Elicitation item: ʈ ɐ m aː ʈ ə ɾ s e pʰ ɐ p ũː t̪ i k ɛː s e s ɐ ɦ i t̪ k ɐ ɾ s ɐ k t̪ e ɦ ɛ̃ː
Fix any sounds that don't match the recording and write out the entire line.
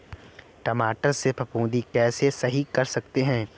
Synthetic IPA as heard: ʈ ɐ m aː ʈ ə ɾ s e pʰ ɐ p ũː d̪ i k ɛː s e s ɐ ɦ i k ɐ ɾ s ɐ k t̪ e ɦ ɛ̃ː